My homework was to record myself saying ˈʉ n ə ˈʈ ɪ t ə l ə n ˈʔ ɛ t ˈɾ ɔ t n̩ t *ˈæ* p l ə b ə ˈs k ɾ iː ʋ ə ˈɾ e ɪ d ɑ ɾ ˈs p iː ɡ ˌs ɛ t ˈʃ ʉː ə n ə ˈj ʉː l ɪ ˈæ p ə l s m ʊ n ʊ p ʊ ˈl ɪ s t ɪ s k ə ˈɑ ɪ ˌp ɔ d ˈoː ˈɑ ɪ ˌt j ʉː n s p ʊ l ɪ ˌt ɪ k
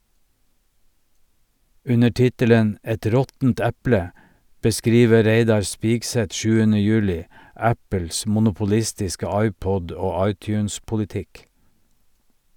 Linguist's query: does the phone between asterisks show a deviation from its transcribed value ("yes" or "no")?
no